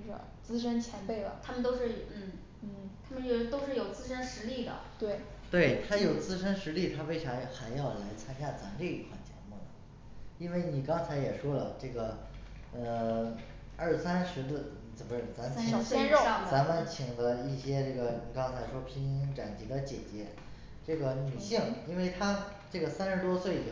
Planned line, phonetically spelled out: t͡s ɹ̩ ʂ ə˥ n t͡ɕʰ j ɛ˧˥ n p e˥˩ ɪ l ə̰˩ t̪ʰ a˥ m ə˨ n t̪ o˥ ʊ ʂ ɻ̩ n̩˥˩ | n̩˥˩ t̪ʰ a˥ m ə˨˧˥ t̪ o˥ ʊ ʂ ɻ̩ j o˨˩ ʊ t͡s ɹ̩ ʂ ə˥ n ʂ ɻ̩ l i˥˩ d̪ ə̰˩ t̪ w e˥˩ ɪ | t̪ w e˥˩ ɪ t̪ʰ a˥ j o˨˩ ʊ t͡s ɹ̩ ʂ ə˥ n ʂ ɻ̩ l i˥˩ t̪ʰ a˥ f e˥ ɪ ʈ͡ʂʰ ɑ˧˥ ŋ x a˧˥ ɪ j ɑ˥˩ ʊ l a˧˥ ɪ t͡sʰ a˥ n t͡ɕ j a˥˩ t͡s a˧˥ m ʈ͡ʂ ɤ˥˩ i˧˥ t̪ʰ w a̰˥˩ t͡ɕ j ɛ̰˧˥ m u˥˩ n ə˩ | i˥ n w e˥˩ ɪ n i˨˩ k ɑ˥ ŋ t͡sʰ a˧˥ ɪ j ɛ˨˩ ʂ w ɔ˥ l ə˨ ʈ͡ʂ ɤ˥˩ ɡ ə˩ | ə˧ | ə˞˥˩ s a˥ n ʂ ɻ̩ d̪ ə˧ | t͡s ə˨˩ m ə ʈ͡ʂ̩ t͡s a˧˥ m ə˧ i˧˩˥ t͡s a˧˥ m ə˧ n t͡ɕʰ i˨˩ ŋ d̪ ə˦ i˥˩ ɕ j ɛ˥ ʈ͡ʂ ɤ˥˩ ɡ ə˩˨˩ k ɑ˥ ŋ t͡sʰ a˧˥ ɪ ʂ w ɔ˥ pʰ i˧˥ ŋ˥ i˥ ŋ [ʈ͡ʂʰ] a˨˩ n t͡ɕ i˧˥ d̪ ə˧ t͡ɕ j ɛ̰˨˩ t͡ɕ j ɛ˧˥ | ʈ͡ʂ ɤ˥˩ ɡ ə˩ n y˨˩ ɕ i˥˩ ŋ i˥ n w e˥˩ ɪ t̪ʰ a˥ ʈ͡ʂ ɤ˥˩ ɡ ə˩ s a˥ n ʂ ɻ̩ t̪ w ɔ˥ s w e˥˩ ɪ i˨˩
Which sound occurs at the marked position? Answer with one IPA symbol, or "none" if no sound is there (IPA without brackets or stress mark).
ʈ͡ʂ